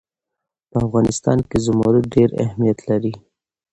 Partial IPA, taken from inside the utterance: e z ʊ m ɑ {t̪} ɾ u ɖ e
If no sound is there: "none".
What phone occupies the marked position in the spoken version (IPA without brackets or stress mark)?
none